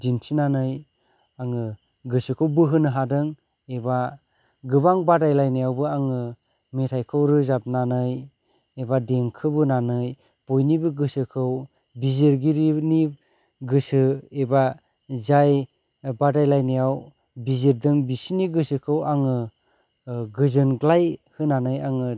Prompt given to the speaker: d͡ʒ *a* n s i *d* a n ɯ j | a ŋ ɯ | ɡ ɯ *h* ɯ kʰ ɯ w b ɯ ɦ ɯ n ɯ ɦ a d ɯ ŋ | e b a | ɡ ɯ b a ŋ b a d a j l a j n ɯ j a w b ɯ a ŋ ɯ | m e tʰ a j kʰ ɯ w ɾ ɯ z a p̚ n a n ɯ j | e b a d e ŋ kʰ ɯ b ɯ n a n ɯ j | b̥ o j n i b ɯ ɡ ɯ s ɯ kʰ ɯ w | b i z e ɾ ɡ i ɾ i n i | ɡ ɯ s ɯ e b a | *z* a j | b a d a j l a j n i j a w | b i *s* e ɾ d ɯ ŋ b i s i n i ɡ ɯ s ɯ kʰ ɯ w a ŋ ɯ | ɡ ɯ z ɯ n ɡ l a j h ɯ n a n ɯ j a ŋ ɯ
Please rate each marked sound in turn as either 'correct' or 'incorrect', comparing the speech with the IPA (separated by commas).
incorrect, incorrect, incorrect, correct, incorrect